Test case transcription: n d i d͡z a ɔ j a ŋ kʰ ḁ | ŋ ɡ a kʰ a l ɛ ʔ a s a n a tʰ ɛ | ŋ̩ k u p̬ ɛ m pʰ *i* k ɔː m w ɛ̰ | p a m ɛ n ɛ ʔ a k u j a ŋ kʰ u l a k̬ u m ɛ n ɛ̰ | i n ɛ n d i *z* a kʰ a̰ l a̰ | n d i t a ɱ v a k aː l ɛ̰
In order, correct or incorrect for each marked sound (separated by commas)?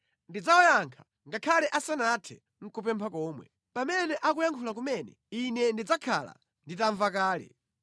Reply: incorrect, incorrect